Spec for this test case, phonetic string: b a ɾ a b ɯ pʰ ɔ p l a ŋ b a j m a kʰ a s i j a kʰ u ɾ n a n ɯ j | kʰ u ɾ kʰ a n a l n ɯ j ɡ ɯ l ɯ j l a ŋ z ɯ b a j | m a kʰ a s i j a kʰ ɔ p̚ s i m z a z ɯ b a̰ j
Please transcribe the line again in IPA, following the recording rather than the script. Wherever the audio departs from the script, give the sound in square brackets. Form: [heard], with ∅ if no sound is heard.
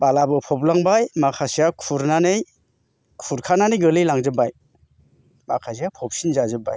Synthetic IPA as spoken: b a [l] a b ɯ pʰ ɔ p l a ŋ b a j m a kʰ a s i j a kʰ u ɾ n a n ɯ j | kʰ u ɾ kʰ a n a [∅] n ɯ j ɡ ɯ l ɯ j l a ŋ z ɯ b a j | m a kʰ a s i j a [pʰ] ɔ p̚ s i [n] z a z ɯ b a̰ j

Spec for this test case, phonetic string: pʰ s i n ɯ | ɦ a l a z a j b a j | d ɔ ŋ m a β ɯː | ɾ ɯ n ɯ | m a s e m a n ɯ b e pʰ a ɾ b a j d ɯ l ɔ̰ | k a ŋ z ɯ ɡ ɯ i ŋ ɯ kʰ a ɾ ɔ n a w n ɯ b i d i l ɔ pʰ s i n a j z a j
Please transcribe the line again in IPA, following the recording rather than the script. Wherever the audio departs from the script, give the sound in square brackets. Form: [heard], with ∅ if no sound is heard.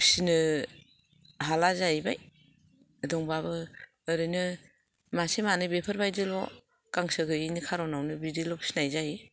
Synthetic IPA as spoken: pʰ s i n ɯ | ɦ a l a z a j b a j | d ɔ ŋ [b] a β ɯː | ɾ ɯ n ɯ | m a s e m a n ɯ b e pʰ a ɾ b a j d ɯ l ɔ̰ | k a ŋ [s] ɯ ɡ ɯ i [n] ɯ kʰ a ɾ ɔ n a w n ɯ b i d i l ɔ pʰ s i n a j z a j

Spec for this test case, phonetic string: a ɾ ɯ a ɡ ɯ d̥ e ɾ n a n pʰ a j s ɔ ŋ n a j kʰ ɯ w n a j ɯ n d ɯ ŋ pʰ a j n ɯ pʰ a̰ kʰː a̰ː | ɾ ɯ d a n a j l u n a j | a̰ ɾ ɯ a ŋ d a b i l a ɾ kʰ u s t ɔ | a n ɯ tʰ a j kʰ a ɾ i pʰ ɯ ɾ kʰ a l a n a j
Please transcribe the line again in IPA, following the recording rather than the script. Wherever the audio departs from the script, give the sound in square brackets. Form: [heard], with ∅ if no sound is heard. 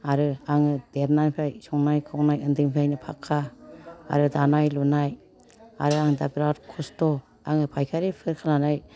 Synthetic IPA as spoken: a ɾ ɯ a [ŋ] ɯ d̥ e ɾ n a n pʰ a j s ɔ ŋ n a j kʰ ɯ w n a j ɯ n d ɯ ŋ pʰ a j n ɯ pʰ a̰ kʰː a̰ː | ɾ ɯ d a n a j l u n a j | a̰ ɾ ɯ a ŋ d a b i [ɾ] a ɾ kʰ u s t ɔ | a [ŋ] ɯ [pʰ] a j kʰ a ɾ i pʰ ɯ ɾ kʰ a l a n a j

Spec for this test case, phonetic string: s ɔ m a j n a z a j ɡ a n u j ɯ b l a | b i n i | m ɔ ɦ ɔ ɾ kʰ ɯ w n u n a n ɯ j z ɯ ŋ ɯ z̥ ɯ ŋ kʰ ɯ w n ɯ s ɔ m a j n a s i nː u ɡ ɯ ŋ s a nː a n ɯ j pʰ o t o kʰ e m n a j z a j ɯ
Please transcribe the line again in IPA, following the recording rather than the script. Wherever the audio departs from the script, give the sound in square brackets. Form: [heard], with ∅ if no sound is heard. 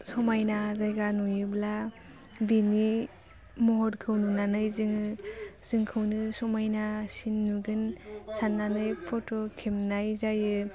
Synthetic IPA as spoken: s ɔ m a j n a z a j ɡ a n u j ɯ b l a | b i n i | m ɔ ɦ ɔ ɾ kʰ ɯ w n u n a n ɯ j z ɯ ŋ ɯ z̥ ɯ ŋ kʰ ɯ w n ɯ s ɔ m a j n a s i nː u ɡ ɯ [n] s a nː a n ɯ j pʰ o t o kʰ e m n a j z a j ɯ

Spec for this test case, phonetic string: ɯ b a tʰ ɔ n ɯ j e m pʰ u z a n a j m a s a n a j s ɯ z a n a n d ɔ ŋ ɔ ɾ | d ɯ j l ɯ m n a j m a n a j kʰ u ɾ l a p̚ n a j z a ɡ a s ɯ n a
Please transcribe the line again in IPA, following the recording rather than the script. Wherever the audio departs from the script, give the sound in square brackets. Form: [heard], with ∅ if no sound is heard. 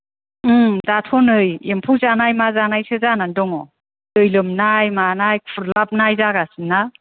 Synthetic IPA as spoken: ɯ [d] a tʰ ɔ n ɯ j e m pʰ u z a n a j m a [z] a n a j s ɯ z a n a n d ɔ ŋ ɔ [∅] | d ɯ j l ɯ m n a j m a n a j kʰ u ɾ l a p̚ n a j z a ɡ a s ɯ n a

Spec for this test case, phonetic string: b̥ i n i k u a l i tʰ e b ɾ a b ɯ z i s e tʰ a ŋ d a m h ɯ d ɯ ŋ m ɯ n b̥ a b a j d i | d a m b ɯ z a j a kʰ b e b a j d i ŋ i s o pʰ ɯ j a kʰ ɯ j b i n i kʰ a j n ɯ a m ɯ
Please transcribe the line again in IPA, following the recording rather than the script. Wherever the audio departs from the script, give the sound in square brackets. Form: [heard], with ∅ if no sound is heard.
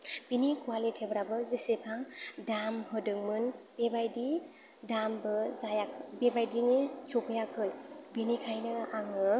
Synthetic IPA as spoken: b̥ i n i k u a l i tʰ e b ɾ a b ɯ z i s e [pʰ] a ŋ d a m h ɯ d ɯ ŋ m ɯ n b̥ [e] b a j d i | d a m b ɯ z a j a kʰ b e b a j d i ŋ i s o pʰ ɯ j a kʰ ɯ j b i n i kʰ a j n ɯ a [ŋ] ɯ

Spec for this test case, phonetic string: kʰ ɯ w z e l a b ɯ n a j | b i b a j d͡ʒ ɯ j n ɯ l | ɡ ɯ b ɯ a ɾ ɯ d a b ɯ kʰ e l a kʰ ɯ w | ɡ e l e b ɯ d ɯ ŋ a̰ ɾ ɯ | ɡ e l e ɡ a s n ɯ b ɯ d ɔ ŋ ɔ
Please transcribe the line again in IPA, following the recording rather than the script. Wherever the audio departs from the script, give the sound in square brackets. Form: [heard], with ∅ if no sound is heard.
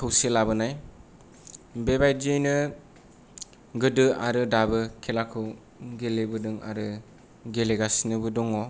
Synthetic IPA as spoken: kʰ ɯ w [s] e l a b ɯ n a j | b [e] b a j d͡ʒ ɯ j n ɯ [∅] | ɡ ɯ [d] ɯ a ɾ ɯ d a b ɯ kʰ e l a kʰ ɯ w | ɡ e l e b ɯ d ɯ ŋ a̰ ɾ ɯ | ɡ e l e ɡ a s n ɯ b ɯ d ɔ ŋ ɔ

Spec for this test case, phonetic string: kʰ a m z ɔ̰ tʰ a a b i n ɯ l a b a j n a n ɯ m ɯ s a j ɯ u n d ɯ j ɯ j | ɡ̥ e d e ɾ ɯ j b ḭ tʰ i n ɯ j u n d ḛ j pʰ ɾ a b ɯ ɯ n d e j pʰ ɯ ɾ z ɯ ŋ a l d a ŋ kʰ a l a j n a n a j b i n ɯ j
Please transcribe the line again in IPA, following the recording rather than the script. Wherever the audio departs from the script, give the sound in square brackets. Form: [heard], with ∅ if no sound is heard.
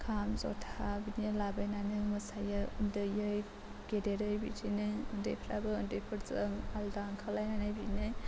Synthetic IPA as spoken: kʰ a m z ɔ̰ tʰ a a b i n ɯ l a b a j n a n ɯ m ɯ s a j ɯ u n d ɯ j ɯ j | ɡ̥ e d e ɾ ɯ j b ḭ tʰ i n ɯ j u n d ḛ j pʰ ɾ a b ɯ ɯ n d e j pʰ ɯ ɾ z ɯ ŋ a l d a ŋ kʰ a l a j n a n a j b i n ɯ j

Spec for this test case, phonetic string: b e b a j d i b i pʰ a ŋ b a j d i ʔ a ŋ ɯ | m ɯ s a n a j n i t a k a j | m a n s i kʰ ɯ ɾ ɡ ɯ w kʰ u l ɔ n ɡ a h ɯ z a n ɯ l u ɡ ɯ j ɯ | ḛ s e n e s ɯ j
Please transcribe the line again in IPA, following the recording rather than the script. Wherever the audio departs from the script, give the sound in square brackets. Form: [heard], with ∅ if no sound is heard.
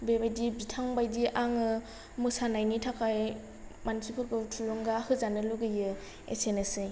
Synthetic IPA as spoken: b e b a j d i b i [tʰ] a ŋ b a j d i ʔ a ŋ ɯ | m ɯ s a n a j n i [tʰ] a k a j | m a n s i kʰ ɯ ɾ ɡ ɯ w [tʰ] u l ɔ [ŋ] ɡ a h ɯ z a n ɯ l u ɡ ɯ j ɯ | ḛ s e n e s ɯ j

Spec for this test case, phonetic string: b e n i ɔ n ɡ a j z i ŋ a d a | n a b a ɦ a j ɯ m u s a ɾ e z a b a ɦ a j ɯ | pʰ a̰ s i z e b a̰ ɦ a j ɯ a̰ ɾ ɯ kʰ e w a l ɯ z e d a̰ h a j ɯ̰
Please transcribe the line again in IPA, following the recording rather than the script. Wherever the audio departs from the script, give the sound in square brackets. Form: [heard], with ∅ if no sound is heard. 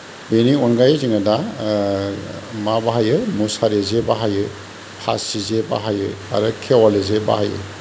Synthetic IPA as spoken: b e n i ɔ n ɡ a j z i ŋ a d a | [m] a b a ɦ a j ɯ m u s a ɾ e z [e] b a ɦ a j ɯ | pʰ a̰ s i z e b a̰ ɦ a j ɯ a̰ ɾ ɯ kʰ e w a l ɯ z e [b] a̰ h a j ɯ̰

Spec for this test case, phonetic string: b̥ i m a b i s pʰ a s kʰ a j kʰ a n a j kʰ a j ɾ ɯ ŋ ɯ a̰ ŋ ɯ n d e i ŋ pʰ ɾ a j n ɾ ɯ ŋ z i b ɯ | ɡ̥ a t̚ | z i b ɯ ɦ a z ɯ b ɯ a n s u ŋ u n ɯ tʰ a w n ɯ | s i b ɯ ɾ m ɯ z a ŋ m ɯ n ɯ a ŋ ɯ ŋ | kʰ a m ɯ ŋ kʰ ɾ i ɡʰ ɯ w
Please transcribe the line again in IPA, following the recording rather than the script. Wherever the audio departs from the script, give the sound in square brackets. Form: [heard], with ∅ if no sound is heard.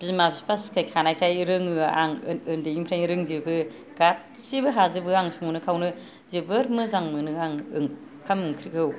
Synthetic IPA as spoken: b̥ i m a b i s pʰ a s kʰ a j kʰ a n a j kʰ a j ɾ ɯ ŋ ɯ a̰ ŋ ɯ n d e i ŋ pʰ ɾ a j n ɾ ɯ ŋ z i b ɯ | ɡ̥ a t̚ | [s] i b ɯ ɦ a z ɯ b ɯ a [ŋ] s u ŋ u n ɯ [kʰ] a w n ɯ | [z] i b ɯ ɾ m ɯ z a ŋ m ɯ n ɯ a ŋ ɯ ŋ | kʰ a m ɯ ŋ kʰ ɾ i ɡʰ ɯ w

